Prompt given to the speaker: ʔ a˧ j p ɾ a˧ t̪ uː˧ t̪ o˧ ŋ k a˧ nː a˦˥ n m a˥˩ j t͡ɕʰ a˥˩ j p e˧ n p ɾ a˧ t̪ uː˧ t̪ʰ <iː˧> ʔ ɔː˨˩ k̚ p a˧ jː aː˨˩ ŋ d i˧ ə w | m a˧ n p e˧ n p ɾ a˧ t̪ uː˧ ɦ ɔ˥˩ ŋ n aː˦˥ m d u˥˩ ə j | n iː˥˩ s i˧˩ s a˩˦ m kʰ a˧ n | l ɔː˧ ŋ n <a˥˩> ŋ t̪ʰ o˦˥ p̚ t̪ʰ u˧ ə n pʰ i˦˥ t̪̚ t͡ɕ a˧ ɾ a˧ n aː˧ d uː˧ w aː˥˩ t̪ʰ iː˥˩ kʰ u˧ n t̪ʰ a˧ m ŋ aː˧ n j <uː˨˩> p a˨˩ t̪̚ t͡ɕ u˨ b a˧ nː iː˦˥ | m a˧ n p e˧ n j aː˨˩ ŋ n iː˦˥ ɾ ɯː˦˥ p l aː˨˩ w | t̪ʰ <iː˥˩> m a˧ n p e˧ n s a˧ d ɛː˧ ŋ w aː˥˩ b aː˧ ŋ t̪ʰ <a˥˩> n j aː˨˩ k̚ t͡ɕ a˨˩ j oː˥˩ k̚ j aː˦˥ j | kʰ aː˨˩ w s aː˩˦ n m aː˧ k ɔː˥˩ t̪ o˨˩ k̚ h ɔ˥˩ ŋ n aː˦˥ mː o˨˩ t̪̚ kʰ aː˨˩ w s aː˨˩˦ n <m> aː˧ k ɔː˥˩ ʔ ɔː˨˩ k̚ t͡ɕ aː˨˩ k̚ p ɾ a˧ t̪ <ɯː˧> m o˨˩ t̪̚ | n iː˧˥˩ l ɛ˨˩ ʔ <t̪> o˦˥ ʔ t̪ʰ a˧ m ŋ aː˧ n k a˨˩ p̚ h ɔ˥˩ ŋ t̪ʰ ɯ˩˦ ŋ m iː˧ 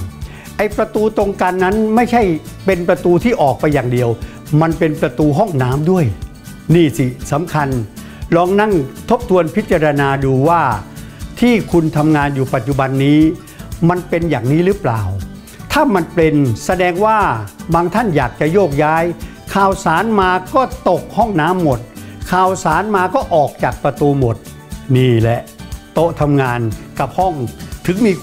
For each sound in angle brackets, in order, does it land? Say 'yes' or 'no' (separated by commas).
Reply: no, yes, yes, no, yes, yes, no, yes